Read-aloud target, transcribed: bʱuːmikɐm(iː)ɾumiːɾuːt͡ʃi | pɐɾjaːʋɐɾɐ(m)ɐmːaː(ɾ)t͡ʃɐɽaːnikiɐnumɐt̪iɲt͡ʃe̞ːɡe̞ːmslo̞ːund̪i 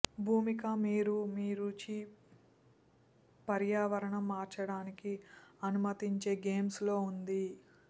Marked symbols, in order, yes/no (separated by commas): yes, no, yes